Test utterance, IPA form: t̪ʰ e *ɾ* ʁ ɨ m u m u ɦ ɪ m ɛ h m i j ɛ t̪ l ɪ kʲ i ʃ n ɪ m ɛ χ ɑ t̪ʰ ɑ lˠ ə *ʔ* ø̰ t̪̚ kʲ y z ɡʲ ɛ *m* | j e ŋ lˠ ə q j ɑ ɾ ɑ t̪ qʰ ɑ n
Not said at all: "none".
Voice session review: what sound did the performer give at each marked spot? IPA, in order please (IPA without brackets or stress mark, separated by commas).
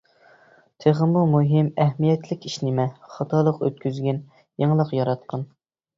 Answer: none, q, n